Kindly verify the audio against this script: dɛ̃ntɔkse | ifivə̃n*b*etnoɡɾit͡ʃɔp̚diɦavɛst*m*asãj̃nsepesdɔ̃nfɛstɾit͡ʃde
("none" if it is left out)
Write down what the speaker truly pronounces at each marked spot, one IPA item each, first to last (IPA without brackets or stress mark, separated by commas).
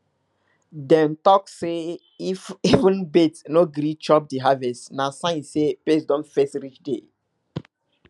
b, n